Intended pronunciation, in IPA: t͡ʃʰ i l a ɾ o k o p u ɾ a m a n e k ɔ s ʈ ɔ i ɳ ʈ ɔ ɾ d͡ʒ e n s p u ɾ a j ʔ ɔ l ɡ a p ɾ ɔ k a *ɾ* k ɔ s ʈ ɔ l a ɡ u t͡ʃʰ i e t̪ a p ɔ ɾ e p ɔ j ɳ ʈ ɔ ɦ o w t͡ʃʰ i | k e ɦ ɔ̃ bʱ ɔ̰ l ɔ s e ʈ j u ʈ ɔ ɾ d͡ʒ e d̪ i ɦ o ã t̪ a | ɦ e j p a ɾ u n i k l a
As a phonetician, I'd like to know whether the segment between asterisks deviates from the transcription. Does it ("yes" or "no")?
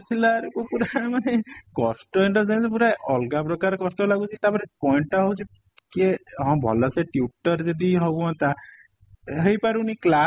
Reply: no